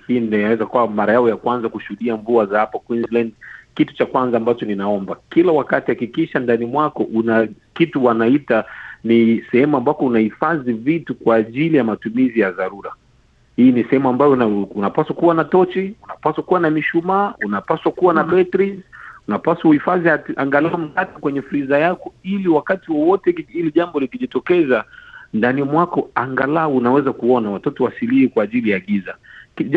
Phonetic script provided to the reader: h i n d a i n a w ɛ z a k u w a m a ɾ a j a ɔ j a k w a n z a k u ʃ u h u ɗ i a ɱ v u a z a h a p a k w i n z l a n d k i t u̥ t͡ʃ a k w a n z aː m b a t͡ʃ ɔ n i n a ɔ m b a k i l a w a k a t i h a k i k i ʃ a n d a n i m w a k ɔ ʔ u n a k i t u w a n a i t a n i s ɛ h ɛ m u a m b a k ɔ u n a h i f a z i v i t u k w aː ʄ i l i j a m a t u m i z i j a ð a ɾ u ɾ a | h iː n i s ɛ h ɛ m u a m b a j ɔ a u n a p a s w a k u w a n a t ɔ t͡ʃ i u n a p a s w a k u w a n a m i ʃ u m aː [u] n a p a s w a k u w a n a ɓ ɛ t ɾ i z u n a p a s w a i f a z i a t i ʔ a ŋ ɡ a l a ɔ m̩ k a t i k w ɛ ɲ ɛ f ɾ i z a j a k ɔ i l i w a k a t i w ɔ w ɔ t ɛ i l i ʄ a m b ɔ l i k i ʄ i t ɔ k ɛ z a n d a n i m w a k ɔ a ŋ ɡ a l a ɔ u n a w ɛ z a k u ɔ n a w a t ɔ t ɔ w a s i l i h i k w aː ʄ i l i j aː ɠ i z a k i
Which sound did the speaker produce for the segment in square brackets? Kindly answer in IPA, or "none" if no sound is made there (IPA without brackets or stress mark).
u